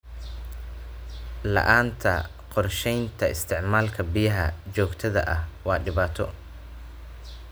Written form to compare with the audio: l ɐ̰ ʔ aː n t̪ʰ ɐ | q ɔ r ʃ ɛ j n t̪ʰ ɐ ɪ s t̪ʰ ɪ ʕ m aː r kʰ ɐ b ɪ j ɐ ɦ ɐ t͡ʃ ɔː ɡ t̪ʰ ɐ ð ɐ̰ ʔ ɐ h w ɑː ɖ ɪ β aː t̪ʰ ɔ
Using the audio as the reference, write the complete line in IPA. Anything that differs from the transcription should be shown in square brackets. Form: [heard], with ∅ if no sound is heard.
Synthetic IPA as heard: l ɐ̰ ʔ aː n t̪ʰ ɐ | q ɔ r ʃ ɛ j n t̪ʰ ɐ ɪ s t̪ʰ ɪ ʕ m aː [l] kʰ ɐ b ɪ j ɐ ɦ ɐ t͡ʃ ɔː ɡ t̪ʰ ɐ ð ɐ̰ ʔ ɐ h w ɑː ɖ ɪ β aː t̪ʰ ɔ